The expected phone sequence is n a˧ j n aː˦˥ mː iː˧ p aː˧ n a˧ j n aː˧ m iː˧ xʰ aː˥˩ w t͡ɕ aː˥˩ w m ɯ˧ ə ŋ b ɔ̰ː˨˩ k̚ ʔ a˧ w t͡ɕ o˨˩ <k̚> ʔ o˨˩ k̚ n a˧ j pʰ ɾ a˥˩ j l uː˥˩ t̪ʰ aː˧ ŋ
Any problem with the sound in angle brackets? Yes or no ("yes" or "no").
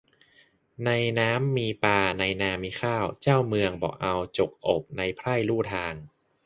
no